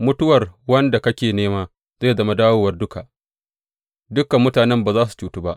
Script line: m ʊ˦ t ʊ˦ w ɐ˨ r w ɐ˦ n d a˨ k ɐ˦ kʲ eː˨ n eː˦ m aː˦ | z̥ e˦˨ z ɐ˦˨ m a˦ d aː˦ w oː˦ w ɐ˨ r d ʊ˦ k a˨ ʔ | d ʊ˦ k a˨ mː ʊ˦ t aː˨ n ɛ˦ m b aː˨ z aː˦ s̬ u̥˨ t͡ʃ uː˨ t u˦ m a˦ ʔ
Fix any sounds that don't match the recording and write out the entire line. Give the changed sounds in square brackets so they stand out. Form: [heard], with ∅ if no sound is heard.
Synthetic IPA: m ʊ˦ t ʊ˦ w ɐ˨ r w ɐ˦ n d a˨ k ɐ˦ kʲ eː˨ n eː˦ m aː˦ | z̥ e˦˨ z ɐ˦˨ m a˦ d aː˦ w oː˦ w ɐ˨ r d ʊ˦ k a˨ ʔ | d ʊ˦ k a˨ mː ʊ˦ t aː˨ n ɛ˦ m b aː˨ z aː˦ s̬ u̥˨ t͡ʃ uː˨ t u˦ [b] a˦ ʔ

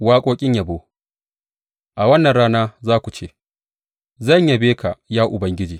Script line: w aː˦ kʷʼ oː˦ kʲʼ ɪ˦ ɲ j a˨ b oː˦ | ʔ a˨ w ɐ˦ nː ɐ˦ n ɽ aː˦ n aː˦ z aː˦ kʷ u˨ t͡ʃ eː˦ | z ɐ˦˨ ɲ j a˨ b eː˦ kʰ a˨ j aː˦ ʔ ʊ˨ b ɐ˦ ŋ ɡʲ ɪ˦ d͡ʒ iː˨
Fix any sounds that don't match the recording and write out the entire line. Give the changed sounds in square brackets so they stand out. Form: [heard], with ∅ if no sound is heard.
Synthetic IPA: w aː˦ kʷʼ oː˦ kʲʼ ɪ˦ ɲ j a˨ b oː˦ | ʔ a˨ w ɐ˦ nː [ɐ˨] n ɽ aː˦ n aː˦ z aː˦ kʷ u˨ t͡ʃ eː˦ | z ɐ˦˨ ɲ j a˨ b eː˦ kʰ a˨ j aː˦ ʔ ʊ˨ b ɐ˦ ŋ ɡʲ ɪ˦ d͡ʒ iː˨

